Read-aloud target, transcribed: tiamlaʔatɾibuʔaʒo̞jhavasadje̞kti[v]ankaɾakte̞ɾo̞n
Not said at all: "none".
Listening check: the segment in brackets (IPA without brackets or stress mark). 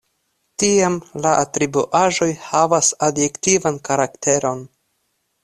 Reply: v